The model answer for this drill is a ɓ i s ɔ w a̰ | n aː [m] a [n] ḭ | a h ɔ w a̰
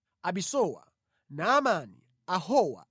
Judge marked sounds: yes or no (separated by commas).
yes, yes